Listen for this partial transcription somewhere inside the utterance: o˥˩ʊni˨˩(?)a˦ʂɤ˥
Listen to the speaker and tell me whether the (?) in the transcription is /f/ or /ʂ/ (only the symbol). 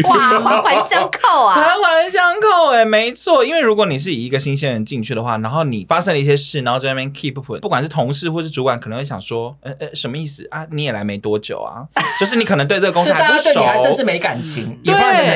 f